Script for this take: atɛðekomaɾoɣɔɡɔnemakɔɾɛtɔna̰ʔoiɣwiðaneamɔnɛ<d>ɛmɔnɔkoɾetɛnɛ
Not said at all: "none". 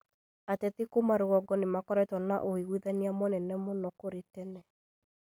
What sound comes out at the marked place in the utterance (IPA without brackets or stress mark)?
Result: n